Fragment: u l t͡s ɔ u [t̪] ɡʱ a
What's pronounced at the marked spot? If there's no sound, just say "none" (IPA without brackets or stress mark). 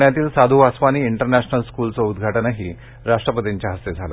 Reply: d̪